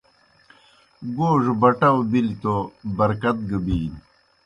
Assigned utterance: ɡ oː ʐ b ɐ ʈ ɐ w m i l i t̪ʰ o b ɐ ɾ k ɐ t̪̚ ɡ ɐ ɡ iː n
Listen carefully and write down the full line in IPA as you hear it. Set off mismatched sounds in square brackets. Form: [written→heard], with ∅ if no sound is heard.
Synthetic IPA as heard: ɡ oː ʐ b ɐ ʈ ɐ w [m→b] i l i [t̪ʰ→t̪] o b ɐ ɾ k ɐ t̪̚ ɡ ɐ [ɡ→b] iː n